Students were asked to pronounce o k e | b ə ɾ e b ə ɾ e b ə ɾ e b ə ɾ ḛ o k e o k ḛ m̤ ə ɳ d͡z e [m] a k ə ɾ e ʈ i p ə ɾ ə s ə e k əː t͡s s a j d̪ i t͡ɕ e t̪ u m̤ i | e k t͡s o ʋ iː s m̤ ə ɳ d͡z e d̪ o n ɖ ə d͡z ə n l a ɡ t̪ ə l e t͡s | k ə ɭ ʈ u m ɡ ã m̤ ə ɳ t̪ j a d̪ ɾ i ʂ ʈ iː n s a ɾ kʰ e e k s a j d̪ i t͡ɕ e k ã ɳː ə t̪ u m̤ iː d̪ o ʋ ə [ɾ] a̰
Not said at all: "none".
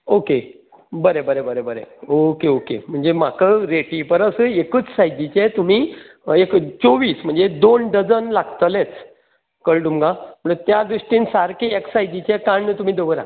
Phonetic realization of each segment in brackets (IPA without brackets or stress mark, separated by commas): m, ɾ